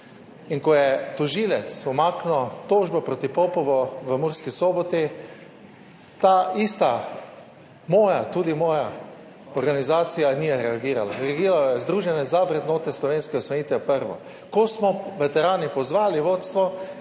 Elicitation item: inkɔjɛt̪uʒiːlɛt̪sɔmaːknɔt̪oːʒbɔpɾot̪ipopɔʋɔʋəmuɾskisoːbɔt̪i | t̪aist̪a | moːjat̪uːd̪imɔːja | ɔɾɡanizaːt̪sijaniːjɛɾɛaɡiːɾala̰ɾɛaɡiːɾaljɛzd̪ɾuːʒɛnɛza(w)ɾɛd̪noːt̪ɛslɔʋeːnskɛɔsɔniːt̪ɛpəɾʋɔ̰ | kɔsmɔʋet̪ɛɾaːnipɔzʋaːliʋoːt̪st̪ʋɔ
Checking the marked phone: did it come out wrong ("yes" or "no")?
yes